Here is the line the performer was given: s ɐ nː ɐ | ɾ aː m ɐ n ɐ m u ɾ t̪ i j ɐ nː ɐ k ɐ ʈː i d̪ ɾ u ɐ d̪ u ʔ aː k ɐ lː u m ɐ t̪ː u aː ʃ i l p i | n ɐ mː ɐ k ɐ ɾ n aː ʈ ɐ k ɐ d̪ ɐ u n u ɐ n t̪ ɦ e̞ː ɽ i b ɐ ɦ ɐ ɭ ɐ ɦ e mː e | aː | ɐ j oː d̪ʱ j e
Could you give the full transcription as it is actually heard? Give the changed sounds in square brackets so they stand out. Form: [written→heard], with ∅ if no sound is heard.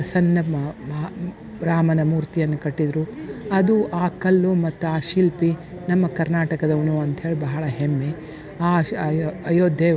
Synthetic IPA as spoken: s ɐ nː ɐ | ɾ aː m ɐ n ɐ m [u→uː] ɾ t̪ i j ɐ nː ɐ k ɐ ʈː i d̪ ɾ u ɐ d̪ u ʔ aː k ɐ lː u m ɐ t̪ː u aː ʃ i l p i | n ɐ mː ɐ k ɐ ɾ n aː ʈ ɐ k ɐ d̪ ɐ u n u ɐ n t̪ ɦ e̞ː [ɽ→ɭ] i b ɐ ɦ ɐ ɭ ɐ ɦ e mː e | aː | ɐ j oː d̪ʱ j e